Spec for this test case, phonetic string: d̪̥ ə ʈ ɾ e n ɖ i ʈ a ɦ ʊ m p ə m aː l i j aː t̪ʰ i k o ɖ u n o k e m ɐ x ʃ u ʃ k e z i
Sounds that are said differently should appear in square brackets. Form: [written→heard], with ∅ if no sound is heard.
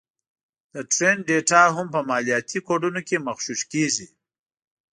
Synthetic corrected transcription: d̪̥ ə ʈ ɾ e n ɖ [i→e] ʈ a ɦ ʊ m p ə m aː l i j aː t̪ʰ i k o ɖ u n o k e m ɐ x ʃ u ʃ k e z i